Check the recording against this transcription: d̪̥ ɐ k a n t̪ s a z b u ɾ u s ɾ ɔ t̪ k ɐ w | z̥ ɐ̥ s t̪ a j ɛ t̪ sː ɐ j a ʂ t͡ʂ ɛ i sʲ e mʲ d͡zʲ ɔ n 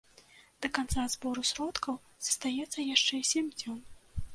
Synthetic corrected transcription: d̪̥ ɐ k a n t̪ s a z b ɔ ɾ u s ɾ ɔ t̪ k ɐ w | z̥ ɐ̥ s t̪ a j ɛ t̪ sː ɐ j a ʂ t͡ʂ ɛ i sʲ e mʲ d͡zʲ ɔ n